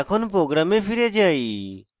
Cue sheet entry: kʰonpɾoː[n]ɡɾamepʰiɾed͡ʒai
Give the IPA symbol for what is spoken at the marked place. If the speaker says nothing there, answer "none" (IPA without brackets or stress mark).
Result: none